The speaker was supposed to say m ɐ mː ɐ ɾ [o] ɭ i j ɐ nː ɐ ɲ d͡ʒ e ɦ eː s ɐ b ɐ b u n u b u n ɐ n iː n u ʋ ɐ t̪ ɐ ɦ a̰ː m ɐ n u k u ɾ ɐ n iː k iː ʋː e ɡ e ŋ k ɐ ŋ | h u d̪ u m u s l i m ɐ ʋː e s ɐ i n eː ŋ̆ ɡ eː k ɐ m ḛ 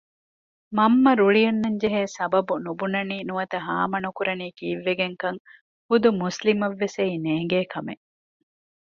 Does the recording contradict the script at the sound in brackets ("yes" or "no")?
yes